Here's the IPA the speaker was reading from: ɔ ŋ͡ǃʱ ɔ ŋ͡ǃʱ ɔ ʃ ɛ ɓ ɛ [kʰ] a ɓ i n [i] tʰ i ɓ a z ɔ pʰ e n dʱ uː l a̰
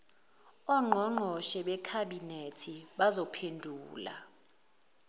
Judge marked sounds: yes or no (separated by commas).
yes, no